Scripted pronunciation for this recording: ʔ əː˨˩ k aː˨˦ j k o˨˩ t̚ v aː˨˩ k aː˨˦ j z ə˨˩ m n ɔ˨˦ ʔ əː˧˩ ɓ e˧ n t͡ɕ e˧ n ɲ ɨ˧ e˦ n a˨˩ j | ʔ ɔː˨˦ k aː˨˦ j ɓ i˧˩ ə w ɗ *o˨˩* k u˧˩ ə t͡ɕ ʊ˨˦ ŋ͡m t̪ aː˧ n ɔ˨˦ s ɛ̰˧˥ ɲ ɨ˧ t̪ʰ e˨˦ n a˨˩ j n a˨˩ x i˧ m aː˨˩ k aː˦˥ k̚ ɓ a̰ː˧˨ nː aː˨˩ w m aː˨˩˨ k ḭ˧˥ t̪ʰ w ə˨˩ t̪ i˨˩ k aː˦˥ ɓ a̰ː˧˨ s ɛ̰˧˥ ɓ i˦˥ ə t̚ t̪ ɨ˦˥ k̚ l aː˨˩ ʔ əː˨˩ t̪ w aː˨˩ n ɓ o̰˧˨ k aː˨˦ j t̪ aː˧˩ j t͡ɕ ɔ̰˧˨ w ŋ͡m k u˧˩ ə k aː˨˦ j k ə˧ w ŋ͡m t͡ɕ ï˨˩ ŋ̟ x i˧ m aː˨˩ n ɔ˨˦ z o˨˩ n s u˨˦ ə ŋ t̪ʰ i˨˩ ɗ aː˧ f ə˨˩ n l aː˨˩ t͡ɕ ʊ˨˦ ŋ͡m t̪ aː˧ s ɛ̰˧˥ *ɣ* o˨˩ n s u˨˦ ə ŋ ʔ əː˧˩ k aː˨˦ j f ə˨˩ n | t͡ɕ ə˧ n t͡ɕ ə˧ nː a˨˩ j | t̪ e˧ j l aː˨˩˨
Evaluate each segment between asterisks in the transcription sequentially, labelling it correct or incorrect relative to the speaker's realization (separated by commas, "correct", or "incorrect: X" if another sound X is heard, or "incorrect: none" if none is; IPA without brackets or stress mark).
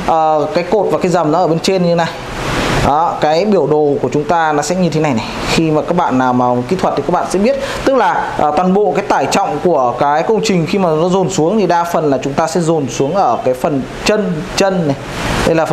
correct, incorrect: z